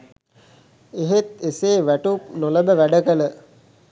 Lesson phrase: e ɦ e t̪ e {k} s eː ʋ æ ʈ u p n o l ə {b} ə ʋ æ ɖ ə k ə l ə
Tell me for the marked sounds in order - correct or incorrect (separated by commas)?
incorrect, correct